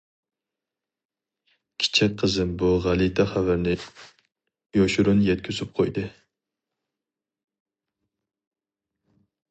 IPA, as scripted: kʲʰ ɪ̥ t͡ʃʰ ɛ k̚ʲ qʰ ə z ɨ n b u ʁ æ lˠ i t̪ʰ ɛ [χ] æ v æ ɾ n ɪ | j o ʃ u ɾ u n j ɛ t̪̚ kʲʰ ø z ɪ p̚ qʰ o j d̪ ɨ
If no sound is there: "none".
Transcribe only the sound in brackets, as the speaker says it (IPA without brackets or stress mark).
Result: χ